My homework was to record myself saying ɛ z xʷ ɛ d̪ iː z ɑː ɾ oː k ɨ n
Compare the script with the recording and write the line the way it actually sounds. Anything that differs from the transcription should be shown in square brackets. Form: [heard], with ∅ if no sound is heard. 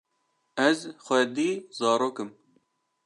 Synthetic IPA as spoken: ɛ z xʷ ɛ d̪ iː z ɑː ɾ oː k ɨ [m]